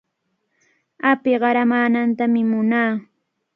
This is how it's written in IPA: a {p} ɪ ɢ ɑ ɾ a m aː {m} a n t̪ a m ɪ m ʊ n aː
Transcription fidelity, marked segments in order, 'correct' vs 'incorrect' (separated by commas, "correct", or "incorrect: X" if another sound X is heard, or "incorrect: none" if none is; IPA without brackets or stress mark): correct, incorrect: n